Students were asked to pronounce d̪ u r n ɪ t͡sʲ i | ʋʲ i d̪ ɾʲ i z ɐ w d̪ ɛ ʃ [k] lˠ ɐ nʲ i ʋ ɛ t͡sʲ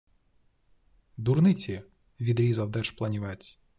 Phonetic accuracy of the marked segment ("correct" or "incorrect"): incorrect